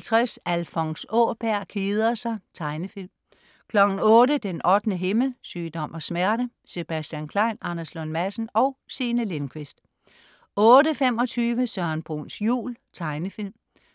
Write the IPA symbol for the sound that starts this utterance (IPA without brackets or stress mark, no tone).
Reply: t͡sʰ